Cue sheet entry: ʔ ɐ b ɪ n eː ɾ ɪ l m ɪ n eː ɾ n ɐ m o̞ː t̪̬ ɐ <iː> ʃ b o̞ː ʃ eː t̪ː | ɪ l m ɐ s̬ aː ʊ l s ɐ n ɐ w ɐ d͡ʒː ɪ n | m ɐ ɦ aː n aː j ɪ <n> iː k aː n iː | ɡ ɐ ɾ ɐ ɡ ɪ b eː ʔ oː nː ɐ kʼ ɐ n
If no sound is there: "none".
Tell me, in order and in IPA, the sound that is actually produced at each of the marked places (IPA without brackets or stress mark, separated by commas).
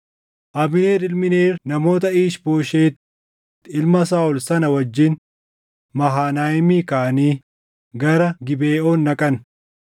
iː, m